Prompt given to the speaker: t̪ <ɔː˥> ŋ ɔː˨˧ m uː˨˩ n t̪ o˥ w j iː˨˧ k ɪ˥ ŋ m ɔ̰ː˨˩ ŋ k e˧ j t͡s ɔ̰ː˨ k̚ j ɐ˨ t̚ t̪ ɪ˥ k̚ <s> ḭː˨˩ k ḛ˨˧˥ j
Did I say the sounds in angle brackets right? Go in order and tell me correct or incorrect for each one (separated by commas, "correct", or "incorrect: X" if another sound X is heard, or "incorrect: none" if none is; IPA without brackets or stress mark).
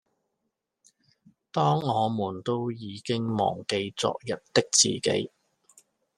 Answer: correct, incorrect: t͡s